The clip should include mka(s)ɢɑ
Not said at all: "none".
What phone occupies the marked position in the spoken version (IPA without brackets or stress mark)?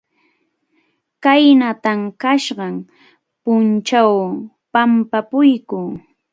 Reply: ʃ